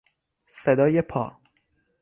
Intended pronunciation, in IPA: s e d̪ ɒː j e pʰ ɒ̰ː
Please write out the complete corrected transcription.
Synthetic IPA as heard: s e d̪ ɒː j e pʰ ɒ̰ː